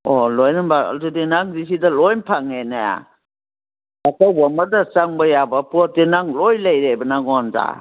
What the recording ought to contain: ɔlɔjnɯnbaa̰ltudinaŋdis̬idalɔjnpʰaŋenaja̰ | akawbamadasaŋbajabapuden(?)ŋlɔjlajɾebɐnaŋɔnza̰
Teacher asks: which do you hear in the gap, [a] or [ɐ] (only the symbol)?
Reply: a